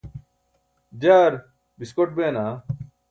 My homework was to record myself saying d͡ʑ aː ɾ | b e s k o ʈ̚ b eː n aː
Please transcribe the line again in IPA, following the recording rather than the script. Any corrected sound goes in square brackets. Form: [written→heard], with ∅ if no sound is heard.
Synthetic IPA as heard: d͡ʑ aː ɾ | b [e→i] s k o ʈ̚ b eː n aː